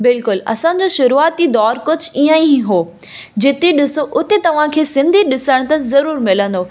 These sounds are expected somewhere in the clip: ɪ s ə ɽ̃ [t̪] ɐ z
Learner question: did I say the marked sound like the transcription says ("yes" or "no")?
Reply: yes